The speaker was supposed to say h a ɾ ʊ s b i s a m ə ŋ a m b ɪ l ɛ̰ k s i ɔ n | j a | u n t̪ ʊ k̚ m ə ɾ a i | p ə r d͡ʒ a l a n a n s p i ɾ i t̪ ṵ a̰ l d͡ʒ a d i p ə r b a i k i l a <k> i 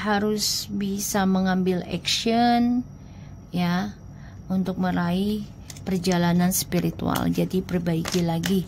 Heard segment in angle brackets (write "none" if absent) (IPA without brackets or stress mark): ɡ